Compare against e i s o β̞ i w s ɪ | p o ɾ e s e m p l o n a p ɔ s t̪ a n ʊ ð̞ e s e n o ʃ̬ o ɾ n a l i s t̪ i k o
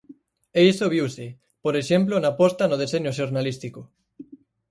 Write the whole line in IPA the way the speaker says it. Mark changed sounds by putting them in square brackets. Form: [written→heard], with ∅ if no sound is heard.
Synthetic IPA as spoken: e i s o β̞ i w s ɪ | p o ɾ e [s→ʃ] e m p l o n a p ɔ s t̪ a n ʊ ð̞ e s e [n→ɲ] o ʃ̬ o ɾ n a l i s t̪ i k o